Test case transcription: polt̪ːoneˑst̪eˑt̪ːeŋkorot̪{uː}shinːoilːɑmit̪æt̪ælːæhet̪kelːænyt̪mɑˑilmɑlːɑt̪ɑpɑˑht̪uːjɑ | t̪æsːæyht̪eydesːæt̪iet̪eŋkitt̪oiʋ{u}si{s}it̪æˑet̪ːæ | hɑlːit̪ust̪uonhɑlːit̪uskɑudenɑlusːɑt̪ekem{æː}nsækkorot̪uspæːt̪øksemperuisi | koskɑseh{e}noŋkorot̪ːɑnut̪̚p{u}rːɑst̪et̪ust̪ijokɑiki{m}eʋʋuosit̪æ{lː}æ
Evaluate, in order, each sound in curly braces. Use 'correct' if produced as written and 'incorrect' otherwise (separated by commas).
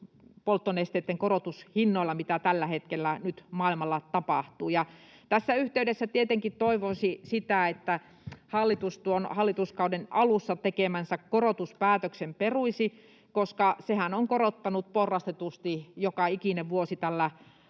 incorrect, incorrect, correct, incorrect, incorrect, incorrect, incorrect, correct